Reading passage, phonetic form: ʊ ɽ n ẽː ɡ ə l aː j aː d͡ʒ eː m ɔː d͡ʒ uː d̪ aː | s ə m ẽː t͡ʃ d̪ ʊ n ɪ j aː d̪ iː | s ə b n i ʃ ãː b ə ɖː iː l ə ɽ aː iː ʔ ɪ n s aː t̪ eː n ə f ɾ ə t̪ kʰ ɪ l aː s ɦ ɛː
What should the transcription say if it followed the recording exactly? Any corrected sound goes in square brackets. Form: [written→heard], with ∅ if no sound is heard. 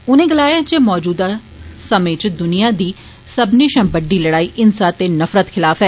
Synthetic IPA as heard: ʊ [ɽ→∅] n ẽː ɡ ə l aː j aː d͡ʒ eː m ɔː d͡ʒ uː d̪ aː | s ə m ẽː t͡ʃ d̪ ʊ n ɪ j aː d̪ iː | s ə b n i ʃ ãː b ə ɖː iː l ə ɽ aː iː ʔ ɪ n s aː t̪ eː n ə f ɾ ə t̪ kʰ ɪ l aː [s→f] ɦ ɛː